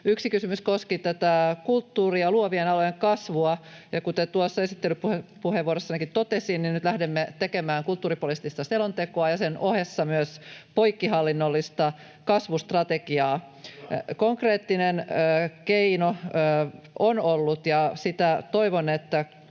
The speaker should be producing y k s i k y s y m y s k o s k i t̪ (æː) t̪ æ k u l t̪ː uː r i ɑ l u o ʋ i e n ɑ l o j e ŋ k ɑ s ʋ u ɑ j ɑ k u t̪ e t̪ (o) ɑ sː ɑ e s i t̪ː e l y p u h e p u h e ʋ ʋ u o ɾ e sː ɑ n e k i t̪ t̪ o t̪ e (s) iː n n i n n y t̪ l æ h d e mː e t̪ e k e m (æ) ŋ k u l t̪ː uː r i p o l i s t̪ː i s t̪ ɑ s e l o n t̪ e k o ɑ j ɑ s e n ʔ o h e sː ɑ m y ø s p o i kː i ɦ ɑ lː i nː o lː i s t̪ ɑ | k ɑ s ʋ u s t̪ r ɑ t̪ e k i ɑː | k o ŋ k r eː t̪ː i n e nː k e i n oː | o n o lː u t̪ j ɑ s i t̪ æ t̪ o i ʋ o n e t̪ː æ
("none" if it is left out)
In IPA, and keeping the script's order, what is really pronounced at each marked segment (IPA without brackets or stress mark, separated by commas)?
æ, u, s, æː